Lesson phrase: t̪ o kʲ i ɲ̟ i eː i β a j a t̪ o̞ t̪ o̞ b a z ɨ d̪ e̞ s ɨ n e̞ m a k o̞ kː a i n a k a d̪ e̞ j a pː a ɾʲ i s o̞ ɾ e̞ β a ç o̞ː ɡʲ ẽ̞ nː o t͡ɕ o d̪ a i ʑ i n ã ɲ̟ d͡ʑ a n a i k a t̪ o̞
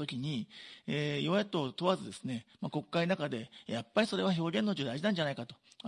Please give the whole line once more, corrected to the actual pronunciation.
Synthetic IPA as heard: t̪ o kʲ i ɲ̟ i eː i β a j a t̪ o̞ t̪ o̞ β a z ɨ d̪ e̞ s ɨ n e̞ m a k o̞ kː a i n a k a d̪ e̞ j a pː a ɾʲ i s o̞ ɾ e̞ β a ç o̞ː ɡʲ ẽ̞ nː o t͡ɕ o d̪ a i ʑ i n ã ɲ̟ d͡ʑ a n a i k a t̪ o̞

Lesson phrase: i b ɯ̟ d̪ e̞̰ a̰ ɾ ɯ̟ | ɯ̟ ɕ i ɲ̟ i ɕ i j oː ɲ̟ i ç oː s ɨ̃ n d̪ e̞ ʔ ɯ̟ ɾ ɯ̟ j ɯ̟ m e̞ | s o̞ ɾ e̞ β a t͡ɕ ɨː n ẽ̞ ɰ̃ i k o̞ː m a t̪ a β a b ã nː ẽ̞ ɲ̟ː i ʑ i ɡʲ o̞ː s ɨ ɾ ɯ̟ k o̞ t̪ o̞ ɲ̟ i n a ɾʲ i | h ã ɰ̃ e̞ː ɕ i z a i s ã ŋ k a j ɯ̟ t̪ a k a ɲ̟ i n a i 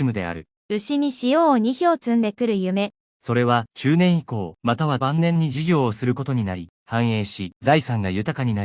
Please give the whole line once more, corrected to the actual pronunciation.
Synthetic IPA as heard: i m ɯ̟ d̪ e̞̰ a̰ ɾ ɯ̟ | ɯ̟ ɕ i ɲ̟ i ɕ i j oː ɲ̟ i ç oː t͡s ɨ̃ n d̪ e̞ k ɯ̟ ɾ ɯ̟ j ɯ̟ m e̞ | s o̞ ɾ e̞ β a t͡ɕ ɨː n ẽ̞ ɰ̃ i k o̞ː m a t̪ a β a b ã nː ẽ̞ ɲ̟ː i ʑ i ɡʲ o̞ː s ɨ ɾ ɯ̟ k o̞ t̪ o̞ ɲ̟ i n a ɾʲ i | h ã ɰ̃ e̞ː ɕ i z a i s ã ŋ ɡ a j ɯ̟ t̪ a k a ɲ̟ i n a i

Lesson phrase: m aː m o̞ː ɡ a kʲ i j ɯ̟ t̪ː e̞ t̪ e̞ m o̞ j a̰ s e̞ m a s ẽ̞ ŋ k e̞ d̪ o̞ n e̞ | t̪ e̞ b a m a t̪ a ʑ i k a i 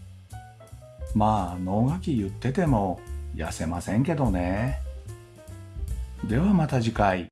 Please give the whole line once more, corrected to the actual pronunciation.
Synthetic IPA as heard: m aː n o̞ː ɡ a kʲ i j ɯ̟ t̪ː e̞ t̪ e̞ m o̞ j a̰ s e̞ m a s ẽ̞ ŋ k e̞ d̪ o̞ n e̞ | d̪ e̞ β a m a t̪ a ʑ i k a i

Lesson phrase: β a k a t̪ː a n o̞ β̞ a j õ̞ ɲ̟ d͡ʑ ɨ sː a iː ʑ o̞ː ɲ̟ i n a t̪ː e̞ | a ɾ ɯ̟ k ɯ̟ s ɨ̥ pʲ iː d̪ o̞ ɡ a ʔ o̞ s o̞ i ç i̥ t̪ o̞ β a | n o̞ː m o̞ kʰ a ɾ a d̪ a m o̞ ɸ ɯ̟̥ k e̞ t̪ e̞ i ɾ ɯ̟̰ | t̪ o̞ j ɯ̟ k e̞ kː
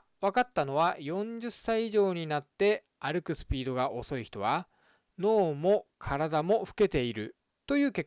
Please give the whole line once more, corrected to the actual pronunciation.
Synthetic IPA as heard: β a k a t̪ː a n o̞ β̞ a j õ̞ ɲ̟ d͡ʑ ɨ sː a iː ʑ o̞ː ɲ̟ i n a t̪ː e̞ | a ɾ ɯ̟ k ɯ̟ s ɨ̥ pʲ iː d̪ o̞ ɡ a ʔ o̞ s o̞ i ç i̥ t̪ o̞ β a | n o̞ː m o̞ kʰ a ɾ a d̪ a m o̞ ɸ ɯ̟̥ k e̞ t̪ e̞ i ɾ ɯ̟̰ | t̪ o̞ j ɯ̟ː k e̞ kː

